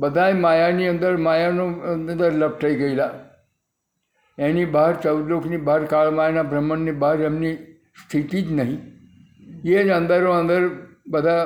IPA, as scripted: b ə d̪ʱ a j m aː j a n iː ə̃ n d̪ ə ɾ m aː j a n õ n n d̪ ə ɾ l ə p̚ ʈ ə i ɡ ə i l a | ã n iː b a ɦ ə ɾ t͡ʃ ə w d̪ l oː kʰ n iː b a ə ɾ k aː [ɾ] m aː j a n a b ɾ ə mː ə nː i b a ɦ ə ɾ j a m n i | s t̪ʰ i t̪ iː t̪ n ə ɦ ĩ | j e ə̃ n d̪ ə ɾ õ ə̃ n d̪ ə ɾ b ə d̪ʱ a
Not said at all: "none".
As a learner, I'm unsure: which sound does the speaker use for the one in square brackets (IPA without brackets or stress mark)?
ɭ